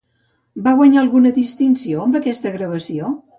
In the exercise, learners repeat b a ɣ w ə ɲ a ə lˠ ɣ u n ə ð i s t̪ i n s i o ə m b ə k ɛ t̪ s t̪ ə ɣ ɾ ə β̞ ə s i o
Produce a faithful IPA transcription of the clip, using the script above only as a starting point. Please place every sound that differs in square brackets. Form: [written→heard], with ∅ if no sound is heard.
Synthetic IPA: b a ɣ w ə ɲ a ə lˠ ɣ u n ə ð i s t̪ i n s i o ə m b ə k ɛ [t̪→∅] s t̪ ə ɣ ɾ ə β̞ ə s i o

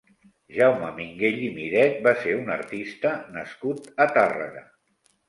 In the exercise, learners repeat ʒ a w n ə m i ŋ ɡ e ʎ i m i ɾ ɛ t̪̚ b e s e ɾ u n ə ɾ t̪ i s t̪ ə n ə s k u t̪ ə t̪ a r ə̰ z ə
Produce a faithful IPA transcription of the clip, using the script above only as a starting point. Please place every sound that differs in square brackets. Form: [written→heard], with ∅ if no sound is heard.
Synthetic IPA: ʒ a w [n→m] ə m i ŋ ɡ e ʎ i m i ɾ ɛ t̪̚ b [e→a] s e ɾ u n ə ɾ t̪ i s t̪ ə n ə s k u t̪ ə t̪ a r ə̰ [z→ɣ] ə

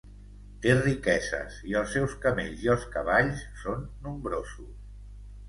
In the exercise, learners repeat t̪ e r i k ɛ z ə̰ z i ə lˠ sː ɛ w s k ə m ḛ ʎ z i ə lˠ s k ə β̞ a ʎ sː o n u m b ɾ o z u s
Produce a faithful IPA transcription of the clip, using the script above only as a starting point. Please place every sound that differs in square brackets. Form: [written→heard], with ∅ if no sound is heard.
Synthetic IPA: t̪ e r i k ɛ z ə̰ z i ə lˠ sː ɛ w s k ə m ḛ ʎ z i ə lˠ s k ə β̞ a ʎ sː o [n→nː] u m b ɾ o z u s

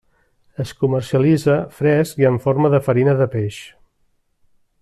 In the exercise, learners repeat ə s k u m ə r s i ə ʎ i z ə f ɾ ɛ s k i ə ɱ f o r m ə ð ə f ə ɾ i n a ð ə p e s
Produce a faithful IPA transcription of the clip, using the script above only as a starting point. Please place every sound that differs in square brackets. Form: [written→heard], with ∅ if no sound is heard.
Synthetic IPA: ə s k u m ə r s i ə [ʎ→l] i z ə f ɾ ɛ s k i ə ɱ f o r m ə ð ə f ə ɾ i n [a→ə] ð ə p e [s→ʃ]

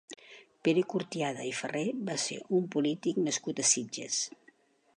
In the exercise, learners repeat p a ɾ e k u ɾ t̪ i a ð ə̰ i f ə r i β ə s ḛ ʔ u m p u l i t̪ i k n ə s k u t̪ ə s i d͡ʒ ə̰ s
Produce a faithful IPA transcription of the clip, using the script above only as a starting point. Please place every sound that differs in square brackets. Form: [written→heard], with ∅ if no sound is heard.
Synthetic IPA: p [a→e] ɾ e k u ɾ t̪ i a ð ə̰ i f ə r [i→e] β [ə→a] s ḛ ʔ u m p u l i t̪ i k n ə s k u t̪ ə s i d͡ʒ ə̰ s

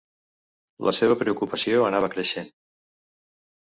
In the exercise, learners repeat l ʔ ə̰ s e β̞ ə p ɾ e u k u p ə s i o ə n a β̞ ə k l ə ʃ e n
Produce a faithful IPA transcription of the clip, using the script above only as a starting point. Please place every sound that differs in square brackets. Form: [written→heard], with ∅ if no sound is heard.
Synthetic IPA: l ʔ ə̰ s e β̞ ə p ɾ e u k u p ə s i o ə n a β̞ ə k [l→ɾ] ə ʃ e n

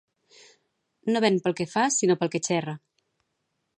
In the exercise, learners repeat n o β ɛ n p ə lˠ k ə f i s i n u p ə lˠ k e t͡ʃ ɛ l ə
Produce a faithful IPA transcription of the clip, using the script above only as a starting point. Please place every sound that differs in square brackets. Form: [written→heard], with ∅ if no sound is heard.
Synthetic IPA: n o β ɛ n p ə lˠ k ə f [i→a] s i n [u→o] p ə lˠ k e t͡ʃ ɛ [l→r] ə

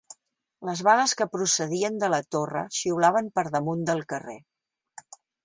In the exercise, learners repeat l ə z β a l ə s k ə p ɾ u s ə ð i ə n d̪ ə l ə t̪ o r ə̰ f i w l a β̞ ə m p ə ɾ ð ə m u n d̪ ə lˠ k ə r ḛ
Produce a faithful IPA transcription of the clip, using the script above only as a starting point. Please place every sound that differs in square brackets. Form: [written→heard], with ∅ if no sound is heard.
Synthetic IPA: l ə z β a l ə s k ə p ɾ u s ə ð i ə n d̪ ə l ə t̪ o r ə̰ [f→ʃ] i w l a β̞ ə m p ə ɾ ð ə m u n d̪ ə lˠ k ə r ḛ

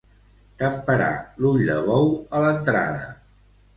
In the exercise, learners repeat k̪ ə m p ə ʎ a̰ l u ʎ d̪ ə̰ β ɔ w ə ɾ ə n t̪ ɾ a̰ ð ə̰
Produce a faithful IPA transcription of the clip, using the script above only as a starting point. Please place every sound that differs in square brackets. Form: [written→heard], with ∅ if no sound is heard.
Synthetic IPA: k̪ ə m p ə [ʎ→ɾ] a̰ l u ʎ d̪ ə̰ β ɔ w ə [ɾ→l] ə n t̪ ɾ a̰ ð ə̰

